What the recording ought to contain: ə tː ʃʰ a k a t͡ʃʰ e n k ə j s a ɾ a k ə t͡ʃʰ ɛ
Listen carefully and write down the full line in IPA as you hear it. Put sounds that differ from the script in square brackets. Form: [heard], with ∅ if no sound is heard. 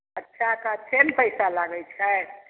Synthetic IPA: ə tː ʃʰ a k a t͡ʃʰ e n [p] ə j s a [l] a [ɡ] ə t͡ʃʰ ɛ